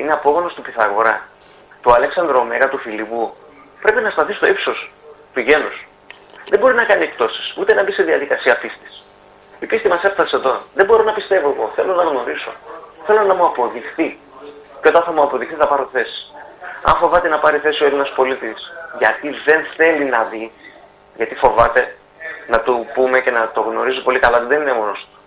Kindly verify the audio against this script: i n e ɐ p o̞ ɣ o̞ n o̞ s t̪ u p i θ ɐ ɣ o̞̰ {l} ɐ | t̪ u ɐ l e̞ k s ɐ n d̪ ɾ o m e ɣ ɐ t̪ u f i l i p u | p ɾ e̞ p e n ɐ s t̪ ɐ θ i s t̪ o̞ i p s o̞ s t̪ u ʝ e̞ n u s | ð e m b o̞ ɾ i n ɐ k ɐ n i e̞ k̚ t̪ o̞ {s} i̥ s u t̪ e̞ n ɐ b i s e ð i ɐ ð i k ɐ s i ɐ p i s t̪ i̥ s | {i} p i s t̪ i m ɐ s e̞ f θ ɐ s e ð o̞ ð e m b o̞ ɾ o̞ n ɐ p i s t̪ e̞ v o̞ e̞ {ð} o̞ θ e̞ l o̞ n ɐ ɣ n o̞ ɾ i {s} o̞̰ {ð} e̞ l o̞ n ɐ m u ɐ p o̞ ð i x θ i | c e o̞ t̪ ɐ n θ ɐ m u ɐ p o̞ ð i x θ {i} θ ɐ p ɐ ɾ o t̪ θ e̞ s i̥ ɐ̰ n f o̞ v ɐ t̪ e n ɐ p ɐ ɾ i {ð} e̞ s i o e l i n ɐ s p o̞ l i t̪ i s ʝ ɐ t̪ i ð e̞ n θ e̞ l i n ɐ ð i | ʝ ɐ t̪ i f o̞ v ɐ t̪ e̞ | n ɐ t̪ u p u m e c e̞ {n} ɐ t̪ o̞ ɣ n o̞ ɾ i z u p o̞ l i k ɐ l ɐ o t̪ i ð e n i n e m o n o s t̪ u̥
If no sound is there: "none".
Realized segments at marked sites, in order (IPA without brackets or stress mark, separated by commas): ɾ, s, i, ɣ, s, θ, i, θ, n